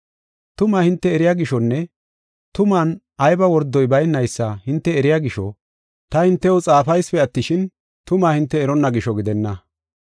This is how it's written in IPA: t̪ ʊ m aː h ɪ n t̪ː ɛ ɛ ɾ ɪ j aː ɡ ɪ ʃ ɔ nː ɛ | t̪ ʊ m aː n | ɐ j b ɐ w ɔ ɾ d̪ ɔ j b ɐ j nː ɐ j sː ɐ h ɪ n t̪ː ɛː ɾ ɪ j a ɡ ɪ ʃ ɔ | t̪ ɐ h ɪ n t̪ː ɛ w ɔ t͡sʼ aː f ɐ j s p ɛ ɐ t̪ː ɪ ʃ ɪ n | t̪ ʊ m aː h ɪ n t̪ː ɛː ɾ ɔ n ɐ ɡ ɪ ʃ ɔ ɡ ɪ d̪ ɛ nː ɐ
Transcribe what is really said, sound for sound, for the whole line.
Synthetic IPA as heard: t̪ ʊ m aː h ɪ n t̪ː ɛ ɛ ɾ ɪ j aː ɡ ɪ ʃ ɔ nː ɛ | t̪ ʊ m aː n | ɐ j b ɐ w ɔ ɾ d̪ ɔ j b ɐ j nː ɐ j sː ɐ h ɪ n t̪ː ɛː ɾ ɪ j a ɡ ɪ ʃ ɔ | t̪ ɐ h ɪ n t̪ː ɛ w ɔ t͡sʼ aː f ɐ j s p ɛ ɐ t̪ː ɪ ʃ ɪ n | t̪ ʊ m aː h ɪ n t̪ː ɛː ɾ ɔ nː ɐ ɡ ɪ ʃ ɔ ɡ ɪ d̪ ɛ nː ɐ